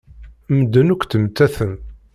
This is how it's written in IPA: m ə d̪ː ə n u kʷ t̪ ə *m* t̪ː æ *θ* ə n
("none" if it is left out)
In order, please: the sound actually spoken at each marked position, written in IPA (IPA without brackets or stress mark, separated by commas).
m, θ